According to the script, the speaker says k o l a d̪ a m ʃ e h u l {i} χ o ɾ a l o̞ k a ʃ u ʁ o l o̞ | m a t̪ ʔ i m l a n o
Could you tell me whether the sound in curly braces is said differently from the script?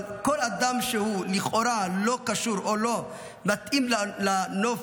no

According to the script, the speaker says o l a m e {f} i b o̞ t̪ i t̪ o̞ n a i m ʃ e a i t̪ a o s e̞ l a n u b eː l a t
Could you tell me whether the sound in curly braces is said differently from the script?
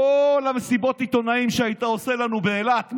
yes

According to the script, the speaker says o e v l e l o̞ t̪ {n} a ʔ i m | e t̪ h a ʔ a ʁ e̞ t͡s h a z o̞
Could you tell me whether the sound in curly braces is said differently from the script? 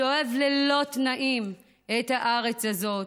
no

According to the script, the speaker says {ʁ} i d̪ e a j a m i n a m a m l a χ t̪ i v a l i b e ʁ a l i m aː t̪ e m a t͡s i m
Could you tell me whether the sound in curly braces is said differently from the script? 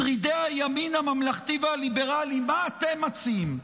no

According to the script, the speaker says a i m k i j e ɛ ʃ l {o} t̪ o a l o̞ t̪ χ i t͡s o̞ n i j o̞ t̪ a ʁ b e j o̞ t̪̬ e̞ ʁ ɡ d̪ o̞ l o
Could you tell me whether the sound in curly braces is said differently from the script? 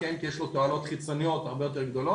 no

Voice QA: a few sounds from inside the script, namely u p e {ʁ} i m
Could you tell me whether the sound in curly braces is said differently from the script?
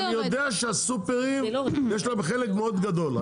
no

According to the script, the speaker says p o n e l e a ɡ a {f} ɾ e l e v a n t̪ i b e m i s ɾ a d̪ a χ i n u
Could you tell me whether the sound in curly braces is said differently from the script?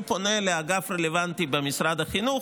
no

